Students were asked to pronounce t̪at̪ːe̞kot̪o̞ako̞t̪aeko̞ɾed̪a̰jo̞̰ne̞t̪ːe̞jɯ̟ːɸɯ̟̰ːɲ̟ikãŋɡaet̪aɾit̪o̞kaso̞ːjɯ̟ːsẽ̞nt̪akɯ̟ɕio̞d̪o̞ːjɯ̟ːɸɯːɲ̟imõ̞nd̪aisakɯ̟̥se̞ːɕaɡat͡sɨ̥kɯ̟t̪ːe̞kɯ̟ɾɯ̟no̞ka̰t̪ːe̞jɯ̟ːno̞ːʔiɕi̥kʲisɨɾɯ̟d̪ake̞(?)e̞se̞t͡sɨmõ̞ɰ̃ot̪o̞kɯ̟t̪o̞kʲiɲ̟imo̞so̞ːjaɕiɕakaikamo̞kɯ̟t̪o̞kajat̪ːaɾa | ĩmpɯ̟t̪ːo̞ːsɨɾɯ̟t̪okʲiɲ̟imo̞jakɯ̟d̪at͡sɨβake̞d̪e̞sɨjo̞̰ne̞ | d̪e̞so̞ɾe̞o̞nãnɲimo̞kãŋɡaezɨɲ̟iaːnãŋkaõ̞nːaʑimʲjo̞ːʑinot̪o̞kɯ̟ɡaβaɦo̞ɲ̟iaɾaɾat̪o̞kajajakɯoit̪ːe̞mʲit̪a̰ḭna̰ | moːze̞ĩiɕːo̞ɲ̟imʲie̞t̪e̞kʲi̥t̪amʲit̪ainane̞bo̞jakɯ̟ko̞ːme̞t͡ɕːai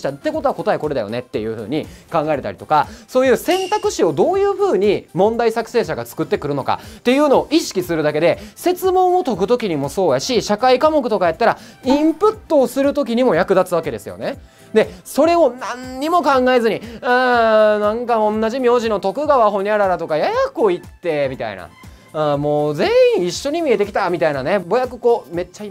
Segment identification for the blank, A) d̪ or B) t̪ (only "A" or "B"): A